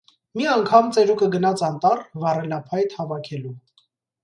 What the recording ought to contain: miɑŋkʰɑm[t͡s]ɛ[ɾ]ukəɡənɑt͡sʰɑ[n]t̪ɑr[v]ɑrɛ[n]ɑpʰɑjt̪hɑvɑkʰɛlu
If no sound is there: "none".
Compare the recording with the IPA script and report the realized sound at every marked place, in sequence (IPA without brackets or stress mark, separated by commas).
t͡s, ɾ, n, v, n